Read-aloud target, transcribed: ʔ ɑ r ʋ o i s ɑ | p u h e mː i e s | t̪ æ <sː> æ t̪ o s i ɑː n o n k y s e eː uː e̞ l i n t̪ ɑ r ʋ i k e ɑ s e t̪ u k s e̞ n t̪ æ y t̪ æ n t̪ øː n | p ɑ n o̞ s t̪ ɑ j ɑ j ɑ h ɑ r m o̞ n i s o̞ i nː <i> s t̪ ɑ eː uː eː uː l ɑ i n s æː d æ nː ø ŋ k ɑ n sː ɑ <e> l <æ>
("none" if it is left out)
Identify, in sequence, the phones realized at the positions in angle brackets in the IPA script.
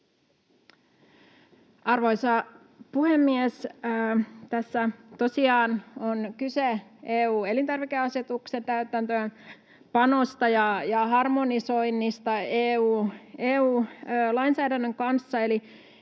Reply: sː, i, e, i

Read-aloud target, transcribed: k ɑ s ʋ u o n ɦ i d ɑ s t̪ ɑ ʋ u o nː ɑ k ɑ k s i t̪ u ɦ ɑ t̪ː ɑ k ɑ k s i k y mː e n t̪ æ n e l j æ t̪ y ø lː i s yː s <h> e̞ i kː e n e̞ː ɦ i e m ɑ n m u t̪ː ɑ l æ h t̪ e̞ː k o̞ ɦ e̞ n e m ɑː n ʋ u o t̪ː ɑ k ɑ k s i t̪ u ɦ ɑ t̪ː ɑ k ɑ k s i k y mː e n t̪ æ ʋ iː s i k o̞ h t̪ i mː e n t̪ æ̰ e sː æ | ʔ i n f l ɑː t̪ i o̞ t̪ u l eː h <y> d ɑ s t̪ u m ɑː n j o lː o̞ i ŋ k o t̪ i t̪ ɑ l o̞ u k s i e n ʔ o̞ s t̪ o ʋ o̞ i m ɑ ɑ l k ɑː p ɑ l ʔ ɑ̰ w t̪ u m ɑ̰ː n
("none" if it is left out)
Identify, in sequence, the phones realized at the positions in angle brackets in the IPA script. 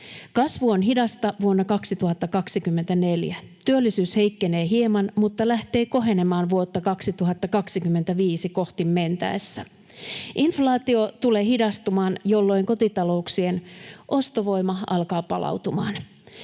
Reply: h, i

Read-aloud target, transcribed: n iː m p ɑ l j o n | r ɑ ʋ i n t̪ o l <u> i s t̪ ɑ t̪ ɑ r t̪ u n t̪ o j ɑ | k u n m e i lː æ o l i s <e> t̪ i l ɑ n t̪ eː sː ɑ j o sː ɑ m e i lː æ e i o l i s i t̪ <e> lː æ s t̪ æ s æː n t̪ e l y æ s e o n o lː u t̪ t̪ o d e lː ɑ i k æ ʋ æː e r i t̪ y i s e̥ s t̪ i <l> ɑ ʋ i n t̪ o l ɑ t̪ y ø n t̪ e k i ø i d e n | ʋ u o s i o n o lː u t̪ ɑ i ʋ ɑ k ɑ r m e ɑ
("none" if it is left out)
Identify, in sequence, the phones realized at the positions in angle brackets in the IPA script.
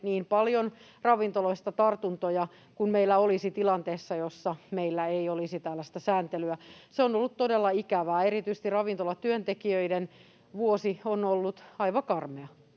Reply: o, i, æ, r

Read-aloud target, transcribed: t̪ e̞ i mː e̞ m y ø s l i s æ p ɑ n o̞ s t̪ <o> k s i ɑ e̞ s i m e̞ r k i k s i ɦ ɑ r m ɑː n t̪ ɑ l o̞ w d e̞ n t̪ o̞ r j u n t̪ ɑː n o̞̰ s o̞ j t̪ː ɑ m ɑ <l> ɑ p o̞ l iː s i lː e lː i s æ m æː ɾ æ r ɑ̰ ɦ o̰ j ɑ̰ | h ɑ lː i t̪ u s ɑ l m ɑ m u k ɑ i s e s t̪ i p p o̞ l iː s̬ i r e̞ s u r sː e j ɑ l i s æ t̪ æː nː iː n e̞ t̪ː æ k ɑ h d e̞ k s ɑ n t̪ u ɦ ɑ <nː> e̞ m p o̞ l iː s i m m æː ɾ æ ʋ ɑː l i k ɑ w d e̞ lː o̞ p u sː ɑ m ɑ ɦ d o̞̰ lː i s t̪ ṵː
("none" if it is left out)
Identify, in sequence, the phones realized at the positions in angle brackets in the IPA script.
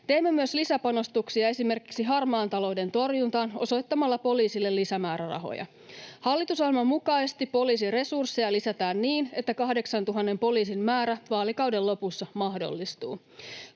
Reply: u, lː, nː

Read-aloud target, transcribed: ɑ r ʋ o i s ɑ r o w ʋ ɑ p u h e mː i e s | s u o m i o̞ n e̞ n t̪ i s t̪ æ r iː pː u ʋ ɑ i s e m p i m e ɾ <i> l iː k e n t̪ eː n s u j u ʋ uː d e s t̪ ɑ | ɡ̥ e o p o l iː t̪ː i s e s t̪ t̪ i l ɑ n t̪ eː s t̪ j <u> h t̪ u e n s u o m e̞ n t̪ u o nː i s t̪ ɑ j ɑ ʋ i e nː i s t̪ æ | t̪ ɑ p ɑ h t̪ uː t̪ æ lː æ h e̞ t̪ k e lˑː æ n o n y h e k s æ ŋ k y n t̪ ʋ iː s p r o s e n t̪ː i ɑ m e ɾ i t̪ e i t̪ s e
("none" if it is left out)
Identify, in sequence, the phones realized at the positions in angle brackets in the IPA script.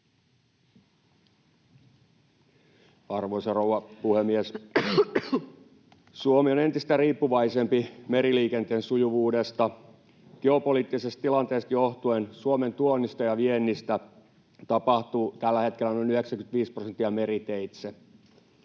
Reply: i, o

